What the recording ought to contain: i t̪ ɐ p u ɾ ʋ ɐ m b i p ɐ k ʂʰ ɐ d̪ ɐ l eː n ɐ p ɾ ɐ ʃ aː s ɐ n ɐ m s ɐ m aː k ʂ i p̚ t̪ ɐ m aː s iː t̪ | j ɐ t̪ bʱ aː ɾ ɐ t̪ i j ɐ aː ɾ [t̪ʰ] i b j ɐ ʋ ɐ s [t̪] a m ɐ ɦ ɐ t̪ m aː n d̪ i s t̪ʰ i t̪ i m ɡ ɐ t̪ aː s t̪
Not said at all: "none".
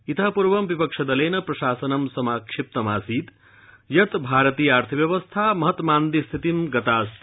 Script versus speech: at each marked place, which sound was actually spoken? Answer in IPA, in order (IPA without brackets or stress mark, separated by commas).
t̪ʰ, t̪ʰ